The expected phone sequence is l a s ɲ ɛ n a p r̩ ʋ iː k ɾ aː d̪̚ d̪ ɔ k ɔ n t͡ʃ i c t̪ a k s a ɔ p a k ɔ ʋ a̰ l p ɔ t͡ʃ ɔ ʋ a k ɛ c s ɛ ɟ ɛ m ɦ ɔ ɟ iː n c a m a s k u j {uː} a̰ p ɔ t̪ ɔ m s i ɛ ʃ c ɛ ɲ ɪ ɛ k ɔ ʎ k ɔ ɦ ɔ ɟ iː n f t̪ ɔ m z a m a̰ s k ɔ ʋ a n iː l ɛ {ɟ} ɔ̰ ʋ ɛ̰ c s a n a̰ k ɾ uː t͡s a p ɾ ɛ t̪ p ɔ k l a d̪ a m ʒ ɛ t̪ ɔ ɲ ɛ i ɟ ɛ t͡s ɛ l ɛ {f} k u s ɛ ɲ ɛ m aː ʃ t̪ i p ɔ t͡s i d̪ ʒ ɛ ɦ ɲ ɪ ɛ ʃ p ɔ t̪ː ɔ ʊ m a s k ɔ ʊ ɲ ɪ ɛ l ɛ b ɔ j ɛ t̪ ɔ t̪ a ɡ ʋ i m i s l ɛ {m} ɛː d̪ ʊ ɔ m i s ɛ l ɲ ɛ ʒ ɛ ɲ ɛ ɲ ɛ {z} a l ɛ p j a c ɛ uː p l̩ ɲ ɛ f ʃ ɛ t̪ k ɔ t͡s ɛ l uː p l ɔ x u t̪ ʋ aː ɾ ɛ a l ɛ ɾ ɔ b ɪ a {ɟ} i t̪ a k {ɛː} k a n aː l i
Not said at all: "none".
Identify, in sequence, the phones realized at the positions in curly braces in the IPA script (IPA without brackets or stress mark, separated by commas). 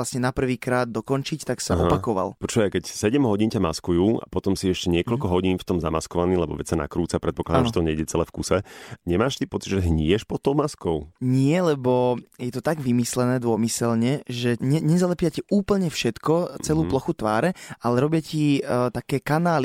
uː, b, f, n, z, c, ɛː